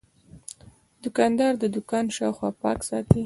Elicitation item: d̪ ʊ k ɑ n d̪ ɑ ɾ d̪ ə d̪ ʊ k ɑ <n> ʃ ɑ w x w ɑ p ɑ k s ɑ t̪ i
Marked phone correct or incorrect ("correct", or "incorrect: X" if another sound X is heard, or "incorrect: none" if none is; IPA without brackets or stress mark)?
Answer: correct